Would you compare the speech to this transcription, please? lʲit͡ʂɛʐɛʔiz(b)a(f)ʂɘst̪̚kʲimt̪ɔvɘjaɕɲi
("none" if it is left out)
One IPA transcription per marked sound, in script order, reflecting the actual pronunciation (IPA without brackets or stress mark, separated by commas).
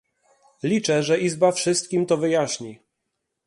b, f